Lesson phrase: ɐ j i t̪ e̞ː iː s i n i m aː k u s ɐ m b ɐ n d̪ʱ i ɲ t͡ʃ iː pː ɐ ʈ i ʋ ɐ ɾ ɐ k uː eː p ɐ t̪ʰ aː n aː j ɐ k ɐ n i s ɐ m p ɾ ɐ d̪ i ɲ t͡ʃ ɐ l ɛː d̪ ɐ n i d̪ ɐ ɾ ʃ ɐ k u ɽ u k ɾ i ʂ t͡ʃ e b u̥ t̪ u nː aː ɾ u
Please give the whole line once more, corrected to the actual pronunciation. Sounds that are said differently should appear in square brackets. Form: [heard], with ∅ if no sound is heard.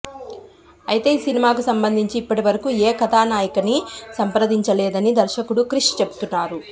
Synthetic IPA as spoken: ɐ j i t̪ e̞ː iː s i n i m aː k u s ɐ m b ɐ n d̪ʱ i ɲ t͡ʃ iː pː ɐ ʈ i ʋ ɐ ɾ ɐ k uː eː [k] ɐ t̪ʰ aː n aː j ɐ k ɐ n i s ɐ m p ɾ ɐ d̪ i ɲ t͡ʃ ɐ l ɛː d̪ ɐ n i d̪ ɐ ɾ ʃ ɐ k u ɽ u k ɾ i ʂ t͡ʃ e b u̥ t̪ u nː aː ɾ u

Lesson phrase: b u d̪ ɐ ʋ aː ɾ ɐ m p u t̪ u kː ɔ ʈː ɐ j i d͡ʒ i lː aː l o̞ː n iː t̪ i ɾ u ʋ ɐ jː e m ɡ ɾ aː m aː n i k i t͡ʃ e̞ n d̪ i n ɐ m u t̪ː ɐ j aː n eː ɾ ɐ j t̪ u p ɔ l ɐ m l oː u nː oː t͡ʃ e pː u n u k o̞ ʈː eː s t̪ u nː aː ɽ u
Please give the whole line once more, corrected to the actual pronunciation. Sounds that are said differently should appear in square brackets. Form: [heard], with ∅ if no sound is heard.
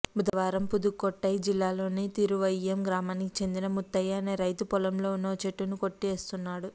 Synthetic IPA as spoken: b u d̪ ɐ ʋ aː ɾ ɐ m p u [d̪] u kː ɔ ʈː ɐ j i d͡ʒ i lː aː l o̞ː n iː t̪ i ɾ u ʋ ɐ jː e m ɡ ɾ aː m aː n i k i t͡ʃ e̞ n d̪ i n ɐ m u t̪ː ɐ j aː n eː ɾ ɐ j t̪ u p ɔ l ɐ m l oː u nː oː t͡ʃ e [ʈː] u n u k o̞ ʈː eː s t̪ u nː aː ɽ u

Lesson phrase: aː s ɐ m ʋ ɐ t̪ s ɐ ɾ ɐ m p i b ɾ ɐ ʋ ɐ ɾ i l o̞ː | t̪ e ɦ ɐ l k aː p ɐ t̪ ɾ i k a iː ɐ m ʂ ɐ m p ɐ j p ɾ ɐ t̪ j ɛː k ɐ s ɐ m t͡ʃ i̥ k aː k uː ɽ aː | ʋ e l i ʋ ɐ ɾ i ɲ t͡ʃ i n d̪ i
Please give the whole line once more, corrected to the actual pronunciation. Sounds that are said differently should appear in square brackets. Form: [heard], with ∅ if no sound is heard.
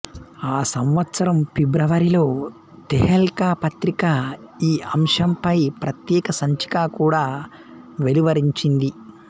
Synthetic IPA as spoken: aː s ɐ m ʋ ɐ t̪ s ɐ ɾ ɐ m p i b ɾ ɐ ʋ ɐ ɾ i l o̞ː | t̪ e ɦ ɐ l k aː p ɐ t̪ ɾ i k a iː ɐ m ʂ ɐ m p ɐ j p ɾ ɐ t̪ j ɛː k ɐ s ɐ [ɲ] t͡ʃ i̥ k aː k uː ɽ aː | ʋ e l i ʋ ɐ ɾ i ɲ t͡ʃ i n d̪ i

